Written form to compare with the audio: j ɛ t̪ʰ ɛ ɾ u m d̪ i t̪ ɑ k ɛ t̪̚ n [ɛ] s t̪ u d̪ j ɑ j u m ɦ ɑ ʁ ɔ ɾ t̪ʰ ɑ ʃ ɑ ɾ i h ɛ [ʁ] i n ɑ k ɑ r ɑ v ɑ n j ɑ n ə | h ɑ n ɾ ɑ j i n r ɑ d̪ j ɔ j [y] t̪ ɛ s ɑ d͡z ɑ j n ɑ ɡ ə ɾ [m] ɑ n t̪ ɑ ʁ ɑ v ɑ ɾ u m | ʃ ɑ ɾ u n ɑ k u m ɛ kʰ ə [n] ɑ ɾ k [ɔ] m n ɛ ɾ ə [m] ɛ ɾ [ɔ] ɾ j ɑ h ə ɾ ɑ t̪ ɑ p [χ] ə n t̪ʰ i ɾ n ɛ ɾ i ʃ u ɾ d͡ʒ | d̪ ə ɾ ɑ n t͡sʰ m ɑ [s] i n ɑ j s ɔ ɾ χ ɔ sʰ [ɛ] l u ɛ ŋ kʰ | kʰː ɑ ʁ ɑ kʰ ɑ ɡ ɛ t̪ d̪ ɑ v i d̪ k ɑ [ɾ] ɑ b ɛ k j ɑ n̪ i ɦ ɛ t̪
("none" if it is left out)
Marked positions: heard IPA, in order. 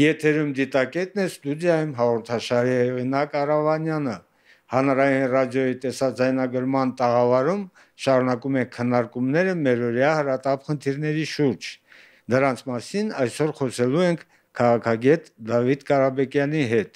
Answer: ɛ, ʁ, i, m, nː, u, m, ɔ, χ, s, ɛ, ɾ

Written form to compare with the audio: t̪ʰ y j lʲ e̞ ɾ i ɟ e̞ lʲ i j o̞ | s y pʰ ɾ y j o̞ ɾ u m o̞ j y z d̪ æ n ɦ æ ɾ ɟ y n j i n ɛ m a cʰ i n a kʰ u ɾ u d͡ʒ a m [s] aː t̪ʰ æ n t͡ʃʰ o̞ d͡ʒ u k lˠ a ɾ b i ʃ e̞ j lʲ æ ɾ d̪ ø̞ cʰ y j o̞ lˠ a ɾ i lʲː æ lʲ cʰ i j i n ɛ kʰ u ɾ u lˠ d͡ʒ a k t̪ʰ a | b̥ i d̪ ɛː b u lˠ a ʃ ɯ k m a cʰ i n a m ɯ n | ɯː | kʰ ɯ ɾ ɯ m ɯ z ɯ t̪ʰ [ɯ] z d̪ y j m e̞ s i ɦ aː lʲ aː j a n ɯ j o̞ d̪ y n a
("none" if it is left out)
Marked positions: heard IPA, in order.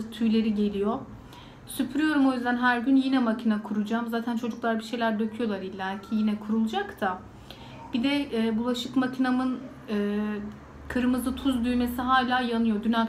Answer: z, u

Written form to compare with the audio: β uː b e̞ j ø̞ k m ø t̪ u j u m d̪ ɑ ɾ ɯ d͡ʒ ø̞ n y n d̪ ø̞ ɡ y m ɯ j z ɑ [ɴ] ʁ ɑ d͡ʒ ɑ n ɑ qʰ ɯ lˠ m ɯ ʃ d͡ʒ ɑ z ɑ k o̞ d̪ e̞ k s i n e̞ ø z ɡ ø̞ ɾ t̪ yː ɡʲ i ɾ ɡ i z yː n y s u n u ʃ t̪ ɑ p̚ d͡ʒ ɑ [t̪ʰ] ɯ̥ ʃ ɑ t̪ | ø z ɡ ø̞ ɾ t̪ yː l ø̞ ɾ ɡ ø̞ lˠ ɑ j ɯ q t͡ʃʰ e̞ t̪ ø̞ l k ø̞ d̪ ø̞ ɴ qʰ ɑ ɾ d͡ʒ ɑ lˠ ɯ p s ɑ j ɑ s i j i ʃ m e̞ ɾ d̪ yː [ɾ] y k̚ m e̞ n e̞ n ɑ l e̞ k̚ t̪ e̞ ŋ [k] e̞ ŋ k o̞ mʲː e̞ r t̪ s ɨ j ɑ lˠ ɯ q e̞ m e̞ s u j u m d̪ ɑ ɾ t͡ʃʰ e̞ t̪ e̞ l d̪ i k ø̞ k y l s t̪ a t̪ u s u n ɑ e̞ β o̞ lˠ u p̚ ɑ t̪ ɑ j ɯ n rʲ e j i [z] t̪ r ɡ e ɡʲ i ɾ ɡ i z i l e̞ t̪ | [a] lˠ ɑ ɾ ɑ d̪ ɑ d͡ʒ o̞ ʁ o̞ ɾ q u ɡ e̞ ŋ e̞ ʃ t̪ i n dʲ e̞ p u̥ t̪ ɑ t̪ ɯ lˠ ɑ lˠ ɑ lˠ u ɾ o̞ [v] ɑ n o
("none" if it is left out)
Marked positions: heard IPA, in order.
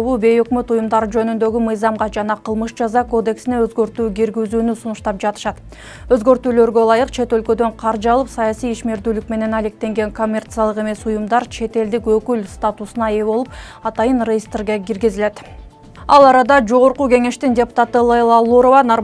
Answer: m, t̪, l, ɡ, s, ɑ, v

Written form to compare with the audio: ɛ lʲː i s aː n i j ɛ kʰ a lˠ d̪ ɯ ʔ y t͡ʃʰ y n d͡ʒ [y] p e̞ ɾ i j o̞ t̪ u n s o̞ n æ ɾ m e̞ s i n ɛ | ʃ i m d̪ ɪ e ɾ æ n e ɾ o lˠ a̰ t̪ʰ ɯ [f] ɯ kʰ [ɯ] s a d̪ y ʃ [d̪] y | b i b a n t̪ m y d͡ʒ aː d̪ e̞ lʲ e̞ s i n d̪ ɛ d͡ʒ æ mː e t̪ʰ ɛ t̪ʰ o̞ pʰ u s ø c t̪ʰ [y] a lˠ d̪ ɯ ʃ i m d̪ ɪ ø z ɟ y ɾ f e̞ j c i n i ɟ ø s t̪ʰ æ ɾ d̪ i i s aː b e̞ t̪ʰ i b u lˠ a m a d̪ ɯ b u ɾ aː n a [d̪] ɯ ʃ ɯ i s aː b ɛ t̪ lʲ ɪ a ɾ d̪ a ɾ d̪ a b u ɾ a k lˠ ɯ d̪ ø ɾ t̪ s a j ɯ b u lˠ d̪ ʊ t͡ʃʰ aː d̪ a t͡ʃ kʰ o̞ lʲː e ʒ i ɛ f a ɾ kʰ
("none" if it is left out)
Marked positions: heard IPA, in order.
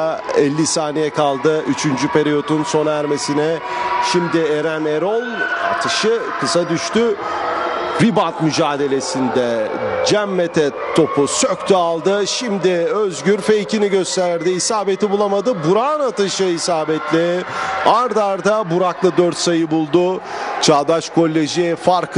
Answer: y, ʃ, ɯ, t̪, y, t̪

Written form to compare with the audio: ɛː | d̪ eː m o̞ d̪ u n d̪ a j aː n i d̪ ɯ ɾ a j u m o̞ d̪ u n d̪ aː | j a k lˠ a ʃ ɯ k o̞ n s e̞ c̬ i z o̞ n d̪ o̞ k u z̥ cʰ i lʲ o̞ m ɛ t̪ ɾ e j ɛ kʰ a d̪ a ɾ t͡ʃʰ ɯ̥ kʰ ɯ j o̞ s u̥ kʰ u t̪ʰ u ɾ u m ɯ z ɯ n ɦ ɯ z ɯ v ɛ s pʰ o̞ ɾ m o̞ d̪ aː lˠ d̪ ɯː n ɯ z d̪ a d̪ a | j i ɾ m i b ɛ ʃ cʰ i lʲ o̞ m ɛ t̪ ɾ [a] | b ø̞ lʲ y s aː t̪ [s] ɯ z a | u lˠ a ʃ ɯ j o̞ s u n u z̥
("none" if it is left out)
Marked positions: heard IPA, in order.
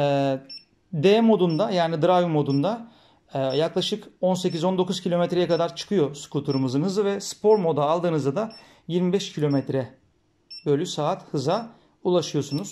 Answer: ɛ, h

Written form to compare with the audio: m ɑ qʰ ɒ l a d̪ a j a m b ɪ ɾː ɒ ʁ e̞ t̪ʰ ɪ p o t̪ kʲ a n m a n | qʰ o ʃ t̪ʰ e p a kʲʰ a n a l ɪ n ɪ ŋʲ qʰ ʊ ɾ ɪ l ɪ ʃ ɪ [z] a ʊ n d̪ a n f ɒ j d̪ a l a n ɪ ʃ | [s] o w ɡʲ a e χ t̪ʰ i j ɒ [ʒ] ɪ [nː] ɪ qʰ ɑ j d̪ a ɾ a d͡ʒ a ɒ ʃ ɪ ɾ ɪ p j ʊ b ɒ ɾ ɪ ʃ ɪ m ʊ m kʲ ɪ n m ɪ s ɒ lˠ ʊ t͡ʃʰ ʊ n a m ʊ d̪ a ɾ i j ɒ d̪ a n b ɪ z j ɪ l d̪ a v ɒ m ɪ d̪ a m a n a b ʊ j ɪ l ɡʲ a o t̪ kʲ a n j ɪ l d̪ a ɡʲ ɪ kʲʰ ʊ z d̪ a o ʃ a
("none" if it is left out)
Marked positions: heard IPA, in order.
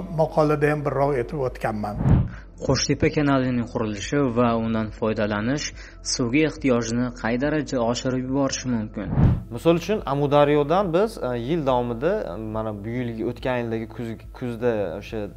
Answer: v, s, ʒ, n

